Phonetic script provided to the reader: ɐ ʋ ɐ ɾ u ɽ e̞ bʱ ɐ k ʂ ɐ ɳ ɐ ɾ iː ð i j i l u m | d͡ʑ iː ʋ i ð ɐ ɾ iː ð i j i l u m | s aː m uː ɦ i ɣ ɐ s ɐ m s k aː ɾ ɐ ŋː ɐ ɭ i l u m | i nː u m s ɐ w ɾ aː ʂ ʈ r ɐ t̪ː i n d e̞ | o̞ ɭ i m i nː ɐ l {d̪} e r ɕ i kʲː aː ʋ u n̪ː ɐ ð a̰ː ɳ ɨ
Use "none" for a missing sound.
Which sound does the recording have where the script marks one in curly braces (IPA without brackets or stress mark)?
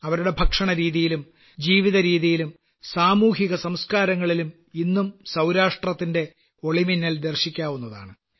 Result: d̪